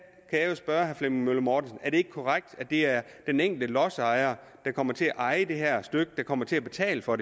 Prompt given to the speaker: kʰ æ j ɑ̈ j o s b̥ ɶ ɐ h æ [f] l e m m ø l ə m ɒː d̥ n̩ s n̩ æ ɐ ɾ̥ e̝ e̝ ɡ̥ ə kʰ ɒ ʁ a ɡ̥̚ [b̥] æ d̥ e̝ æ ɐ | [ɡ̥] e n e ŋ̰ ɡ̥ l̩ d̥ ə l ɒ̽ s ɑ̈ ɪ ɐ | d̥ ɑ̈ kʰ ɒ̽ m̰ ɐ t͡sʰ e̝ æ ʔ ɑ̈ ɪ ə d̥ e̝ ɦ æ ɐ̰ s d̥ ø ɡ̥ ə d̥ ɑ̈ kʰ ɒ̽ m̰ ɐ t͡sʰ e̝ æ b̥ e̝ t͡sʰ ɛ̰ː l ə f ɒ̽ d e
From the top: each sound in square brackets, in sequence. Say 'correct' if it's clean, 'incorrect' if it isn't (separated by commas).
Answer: correct, incorrect, incorrect